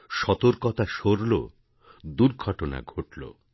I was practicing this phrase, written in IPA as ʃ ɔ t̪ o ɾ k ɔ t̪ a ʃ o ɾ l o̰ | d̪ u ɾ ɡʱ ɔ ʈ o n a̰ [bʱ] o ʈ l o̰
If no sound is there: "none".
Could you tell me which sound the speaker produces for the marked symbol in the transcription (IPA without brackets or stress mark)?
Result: ɡʱ